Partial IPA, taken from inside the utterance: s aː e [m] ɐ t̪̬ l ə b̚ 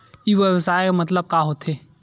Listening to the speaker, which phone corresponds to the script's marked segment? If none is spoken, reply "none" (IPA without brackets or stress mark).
m